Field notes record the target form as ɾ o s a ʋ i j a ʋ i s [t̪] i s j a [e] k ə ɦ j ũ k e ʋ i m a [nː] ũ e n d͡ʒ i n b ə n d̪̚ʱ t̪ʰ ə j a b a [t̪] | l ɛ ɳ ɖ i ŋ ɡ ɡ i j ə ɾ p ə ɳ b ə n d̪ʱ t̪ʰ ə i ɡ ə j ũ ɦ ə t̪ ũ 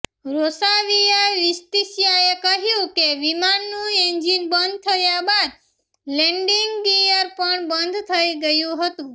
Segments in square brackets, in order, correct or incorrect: correct, correct, correct, incorrect

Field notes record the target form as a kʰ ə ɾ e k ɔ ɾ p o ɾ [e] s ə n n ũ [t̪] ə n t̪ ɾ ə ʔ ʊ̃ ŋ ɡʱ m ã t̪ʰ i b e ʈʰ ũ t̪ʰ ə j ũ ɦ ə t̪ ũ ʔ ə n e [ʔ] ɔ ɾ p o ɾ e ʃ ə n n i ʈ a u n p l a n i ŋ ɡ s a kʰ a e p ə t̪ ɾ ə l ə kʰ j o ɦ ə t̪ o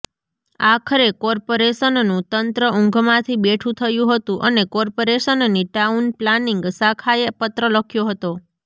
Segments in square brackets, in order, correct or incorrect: correct, correct, incorrect

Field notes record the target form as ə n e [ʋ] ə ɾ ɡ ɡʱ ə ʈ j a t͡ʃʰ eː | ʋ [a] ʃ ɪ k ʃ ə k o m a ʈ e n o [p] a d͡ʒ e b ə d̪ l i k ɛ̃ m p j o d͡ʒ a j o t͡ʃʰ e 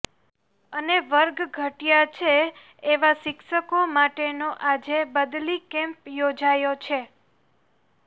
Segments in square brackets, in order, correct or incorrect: correct, correct, incorrect

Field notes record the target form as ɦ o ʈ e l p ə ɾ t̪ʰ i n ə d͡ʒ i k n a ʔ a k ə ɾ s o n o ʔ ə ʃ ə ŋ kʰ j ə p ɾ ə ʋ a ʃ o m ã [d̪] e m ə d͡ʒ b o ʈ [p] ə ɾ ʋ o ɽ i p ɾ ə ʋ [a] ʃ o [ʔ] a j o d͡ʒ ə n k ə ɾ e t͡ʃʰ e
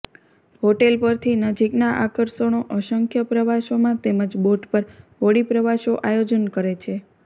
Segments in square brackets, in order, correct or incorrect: incorrect, correct, correct, correct

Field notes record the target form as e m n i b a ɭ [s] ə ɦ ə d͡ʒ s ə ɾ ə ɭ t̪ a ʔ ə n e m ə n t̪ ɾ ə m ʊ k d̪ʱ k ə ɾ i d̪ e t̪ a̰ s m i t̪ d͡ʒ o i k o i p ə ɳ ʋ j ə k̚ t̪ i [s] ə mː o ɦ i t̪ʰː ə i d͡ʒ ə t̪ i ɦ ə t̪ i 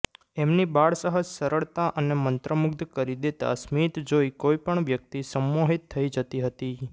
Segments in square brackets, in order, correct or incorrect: correct, correct

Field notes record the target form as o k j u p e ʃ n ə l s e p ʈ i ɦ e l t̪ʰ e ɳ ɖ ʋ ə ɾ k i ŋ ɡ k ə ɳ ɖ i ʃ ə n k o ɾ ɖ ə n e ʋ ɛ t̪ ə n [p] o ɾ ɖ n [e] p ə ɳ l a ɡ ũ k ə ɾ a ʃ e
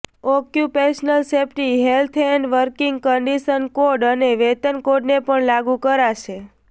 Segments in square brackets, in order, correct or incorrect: incorrect, correct

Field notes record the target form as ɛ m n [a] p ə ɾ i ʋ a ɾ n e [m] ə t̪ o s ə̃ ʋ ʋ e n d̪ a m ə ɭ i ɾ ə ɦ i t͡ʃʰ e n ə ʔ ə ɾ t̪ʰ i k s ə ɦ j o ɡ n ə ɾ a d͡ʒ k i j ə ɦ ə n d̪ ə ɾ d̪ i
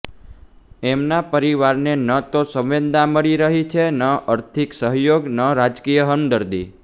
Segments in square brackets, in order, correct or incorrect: correct, incorrect

